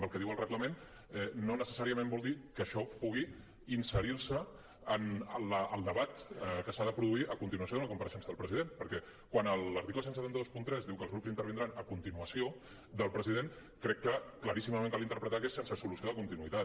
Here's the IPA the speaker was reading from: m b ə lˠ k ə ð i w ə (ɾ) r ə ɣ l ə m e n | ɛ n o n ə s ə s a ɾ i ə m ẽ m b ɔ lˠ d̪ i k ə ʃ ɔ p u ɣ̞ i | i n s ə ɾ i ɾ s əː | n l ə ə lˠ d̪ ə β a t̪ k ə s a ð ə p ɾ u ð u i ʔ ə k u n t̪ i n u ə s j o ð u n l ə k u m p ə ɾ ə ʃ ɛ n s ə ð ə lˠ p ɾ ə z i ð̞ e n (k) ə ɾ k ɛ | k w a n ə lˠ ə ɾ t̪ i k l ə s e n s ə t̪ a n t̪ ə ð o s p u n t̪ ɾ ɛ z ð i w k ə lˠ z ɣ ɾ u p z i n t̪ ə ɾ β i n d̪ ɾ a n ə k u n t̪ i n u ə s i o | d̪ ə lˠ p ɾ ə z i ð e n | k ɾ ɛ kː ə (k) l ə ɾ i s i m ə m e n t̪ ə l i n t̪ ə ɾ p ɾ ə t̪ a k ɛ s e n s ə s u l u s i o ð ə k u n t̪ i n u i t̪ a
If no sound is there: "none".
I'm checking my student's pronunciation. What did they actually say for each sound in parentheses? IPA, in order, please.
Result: l, p, k

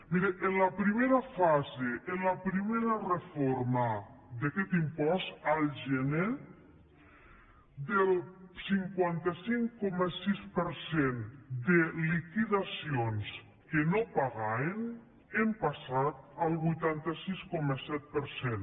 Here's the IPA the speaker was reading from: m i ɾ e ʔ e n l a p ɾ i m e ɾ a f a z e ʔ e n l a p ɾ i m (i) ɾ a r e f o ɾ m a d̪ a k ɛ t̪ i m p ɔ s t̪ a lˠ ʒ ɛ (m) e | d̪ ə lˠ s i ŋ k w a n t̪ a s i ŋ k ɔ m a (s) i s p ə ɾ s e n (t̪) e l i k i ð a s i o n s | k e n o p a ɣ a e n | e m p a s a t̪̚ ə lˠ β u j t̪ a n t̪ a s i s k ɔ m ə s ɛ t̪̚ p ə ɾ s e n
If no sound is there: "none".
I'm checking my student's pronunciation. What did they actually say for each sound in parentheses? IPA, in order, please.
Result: e, n, s, d̪

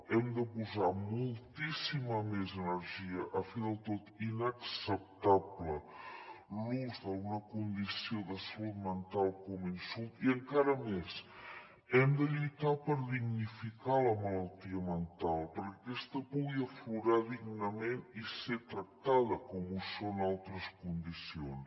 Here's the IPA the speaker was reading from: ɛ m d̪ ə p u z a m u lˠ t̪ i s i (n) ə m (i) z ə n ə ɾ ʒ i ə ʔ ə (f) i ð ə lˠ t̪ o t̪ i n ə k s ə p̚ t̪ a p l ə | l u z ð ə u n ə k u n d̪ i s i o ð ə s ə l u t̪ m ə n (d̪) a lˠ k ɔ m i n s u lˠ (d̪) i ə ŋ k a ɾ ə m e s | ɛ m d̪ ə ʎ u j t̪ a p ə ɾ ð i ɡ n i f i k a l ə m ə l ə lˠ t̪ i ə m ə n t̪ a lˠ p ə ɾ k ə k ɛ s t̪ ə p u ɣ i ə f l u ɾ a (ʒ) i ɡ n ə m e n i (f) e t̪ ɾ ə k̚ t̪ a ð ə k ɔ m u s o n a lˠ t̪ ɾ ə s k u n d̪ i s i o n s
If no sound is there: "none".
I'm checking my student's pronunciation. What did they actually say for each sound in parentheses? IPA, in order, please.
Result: m, e, f, t̪, t̪, ð, s

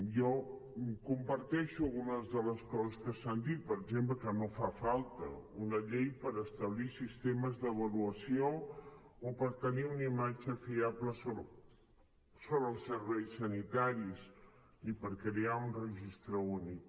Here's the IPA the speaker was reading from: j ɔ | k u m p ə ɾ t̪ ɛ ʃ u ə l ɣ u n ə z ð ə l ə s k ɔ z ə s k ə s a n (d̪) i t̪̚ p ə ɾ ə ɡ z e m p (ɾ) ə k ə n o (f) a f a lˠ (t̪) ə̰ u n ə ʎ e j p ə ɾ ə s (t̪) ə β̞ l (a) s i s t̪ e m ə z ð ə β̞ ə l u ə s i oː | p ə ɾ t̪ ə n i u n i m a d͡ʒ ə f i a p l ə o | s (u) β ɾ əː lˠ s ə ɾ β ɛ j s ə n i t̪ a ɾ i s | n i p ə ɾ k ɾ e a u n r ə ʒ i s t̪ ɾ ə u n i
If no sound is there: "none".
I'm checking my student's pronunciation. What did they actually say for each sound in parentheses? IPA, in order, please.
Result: d̪, l, f, t̪, t̪, i, o

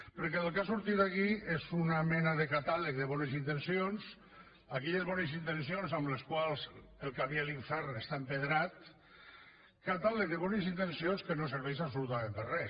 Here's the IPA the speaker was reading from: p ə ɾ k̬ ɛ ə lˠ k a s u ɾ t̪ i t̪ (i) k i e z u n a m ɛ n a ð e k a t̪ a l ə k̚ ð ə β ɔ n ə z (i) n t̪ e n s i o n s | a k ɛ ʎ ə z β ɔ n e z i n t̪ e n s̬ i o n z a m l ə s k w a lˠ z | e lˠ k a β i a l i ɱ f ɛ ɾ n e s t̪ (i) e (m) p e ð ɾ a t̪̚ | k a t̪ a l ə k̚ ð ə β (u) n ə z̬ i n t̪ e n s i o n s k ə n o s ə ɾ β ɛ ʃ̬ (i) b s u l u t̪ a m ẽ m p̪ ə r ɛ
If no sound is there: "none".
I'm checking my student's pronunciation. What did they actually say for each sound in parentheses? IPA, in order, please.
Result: a, i, a, m, ɔ, a

